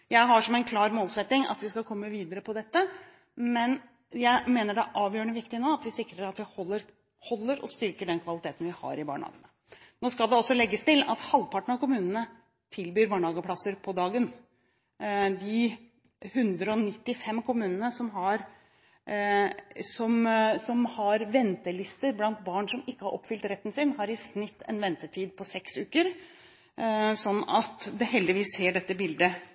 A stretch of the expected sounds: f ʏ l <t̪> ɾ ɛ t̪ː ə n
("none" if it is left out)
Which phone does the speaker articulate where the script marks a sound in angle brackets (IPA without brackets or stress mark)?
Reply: t̪